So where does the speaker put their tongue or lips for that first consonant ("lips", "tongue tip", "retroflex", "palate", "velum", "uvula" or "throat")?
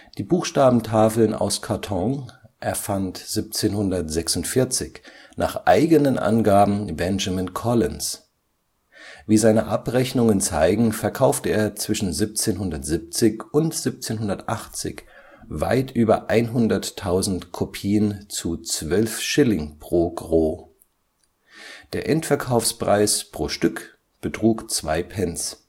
tongue tip